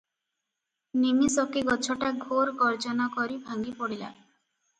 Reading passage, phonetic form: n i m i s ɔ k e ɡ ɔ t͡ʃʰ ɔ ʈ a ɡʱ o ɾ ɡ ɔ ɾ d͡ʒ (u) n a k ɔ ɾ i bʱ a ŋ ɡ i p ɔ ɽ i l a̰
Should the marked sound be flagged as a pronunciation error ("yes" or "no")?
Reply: yes